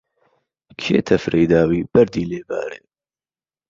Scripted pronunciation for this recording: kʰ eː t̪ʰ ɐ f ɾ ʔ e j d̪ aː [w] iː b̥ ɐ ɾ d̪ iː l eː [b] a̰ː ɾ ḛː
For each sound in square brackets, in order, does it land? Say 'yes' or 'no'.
yes, yes

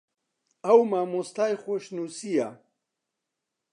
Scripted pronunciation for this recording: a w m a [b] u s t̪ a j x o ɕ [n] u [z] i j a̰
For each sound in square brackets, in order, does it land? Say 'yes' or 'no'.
no, yes, no

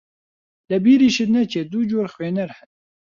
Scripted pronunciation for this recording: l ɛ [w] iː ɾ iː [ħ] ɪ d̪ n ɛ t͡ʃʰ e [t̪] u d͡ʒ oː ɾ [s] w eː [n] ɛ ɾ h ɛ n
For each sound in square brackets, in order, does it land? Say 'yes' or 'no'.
no, no, no, no, yes

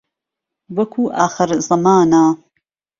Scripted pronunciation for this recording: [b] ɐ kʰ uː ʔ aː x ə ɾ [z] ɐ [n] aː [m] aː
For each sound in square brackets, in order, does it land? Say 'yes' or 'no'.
no, yes, no, no

